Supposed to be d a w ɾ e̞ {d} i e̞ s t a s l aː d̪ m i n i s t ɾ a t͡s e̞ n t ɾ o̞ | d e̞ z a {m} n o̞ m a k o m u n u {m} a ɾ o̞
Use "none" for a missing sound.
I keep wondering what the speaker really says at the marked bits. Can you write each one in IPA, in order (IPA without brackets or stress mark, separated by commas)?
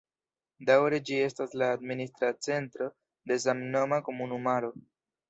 d͡ʒ, m, m